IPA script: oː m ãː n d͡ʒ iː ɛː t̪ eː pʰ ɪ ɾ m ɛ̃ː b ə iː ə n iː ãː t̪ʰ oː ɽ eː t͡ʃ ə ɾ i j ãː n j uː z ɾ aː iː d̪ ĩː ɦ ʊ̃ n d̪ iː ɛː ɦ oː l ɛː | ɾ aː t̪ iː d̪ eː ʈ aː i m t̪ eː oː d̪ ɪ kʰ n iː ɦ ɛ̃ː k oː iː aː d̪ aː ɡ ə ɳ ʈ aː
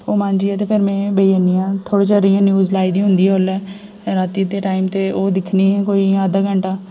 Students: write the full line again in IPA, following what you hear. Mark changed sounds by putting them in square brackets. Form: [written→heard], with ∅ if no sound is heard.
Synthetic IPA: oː m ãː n d͡ʒ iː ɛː t̪ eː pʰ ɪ ɾ m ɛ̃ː b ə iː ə n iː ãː t̪ʰ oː ɽ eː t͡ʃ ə ɾ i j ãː n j uː z [ɾ→l] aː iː d̪ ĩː ɦ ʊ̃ n d̪ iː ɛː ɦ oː l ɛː | ɾ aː t̪ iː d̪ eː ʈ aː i m t̪ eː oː d̪ ɪ kʰ n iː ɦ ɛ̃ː k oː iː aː d̪ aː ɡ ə ɳ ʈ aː